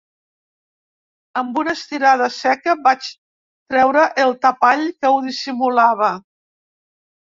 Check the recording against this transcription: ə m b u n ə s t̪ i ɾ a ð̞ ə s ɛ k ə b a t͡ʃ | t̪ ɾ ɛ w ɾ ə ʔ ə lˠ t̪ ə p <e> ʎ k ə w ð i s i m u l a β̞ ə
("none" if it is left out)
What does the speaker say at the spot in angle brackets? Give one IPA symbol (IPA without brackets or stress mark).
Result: a